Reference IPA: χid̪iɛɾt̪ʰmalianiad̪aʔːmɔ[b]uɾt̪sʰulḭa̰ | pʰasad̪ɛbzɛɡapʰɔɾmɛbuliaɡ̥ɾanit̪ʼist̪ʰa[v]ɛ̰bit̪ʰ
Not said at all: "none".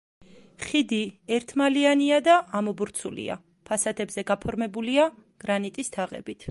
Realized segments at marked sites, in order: b, ʁ

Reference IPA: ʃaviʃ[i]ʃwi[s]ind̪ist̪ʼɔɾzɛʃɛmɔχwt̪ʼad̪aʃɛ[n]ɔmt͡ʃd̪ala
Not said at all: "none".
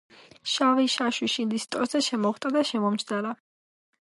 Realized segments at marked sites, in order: a, ʃ, m

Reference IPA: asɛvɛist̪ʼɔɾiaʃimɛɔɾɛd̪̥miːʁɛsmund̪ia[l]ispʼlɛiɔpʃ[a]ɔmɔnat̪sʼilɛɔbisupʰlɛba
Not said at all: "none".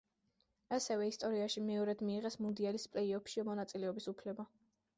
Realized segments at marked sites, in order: l, i

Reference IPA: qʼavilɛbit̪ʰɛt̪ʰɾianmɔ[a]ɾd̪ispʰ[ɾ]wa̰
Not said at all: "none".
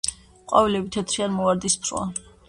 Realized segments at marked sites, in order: a, ɾ

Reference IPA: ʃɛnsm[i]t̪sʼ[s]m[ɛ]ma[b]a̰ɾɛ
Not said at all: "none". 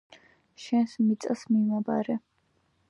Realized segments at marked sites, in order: i, s, i, b

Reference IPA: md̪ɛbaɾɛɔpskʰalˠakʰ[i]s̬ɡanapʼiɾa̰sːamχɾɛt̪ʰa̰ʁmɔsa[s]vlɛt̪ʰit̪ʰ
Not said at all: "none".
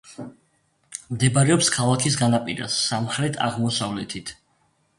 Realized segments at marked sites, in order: i, none

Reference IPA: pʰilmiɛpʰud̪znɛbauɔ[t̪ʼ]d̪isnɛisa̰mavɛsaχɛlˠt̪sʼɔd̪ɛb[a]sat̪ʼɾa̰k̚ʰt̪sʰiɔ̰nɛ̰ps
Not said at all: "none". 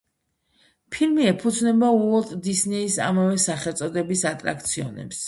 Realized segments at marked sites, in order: t̪ʼ, i

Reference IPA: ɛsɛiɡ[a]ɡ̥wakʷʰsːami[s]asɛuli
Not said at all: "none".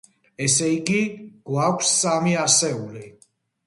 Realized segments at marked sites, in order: i, none

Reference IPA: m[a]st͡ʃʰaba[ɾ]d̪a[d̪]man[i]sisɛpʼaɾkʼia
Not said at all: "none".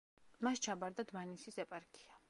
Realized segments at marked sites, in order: a, ɾ, d̪, i

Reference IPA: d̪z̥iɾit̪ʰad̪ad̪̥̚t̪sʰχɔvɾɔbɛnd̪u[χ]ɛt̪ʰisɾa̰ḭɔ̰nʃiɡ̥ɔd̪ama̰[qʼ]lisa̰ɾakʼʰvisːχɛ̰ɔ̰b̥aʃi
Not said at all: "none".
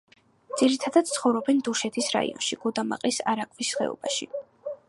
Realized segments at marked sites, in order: ʃ, qʼ

